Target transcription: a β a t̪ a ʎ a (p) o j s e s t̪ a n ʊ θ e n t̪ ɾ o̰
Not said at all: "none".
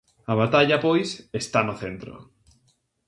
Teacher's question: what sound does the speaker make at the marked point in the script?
p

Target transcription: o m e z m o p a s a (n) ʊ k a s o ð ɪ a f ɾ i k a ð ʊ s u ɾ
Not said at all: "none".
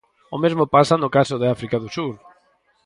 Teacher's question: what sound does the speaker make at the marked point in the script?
n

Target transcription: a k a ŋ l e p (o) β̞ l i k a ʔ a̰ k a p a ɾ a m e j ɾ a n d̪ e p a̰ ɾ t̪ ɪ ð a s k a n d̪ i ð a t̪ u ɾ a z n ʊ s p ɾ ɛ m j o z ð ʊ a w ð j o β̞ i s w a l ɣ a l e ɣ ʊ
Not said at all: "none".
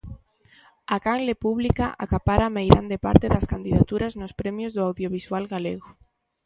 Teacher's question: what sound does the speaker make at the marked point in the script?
u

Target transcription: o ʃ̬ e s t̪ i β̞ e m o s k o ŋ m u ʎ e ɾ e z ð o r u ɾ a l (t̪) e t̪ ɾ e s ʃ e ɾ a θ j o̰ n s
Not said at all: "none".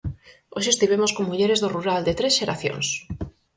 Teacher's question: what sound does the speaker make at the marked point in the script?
d̪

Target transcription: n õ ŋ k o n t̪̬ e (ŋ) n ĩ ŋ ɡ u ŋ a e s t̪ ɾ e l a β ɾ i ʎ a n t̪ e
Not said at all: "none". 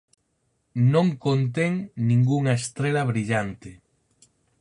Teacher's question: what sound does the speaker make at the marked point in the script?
ŋ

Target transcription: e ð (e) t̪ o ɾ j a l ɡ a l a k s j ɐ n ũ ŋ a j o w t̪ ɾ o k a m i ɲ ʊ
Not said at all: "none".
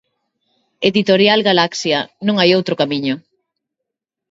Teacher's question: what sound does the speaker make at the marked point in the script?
i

